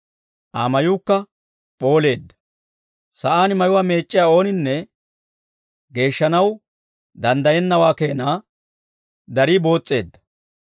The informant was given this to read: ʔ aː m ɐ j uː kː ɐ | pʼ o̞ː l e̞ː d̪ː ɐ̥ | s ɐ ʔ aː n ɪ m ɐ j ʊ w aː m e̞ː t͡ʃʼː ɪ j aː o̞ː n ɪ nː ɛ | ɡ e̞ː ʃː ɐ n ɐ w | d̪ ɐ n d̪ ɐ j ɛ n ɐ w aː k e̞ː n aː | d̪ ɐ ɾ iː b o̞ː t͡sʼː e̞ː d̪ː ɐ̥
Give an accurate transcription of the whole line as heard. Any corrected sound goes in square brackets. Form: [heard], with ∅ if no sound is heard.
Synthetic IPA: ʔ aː m ɐ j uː kː ɐ | pʼ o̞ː l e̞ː d̪ː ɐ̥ | s ɐ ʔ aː n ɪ m ɐ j ʊ w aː m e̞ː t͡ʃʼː ɪ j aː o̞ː n ɪ nː ɛ | ɡ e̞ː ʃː ɐ n ɐ w | d̪ ɐ n d̪ ɐ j ɛ [nː] ɐ w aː k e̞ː n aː | d̪ ɐ ɾ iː b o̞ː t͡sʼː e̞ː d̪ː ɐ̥

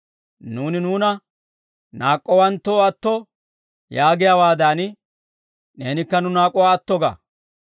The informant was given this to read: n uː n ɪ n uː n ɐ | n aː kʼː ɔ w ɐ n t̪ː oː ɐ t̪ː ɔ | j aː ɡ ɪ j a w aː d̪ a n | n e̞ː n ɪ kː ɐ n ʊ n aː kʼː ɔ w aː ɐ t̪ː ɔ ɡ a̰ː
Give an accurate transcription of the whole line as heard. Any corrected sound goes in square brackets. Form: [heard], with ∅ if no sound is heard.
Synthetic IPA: n uː n ɪ n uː n ɐ | n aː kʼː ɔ w ɐ n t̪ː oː ɐ t̪ː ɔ | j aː ɡ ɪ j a w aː d̪ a n | n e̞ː n ɪ kː ɐ n ʊ n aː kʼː ɔ w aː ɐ t̪ː ɔ ɡ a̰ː

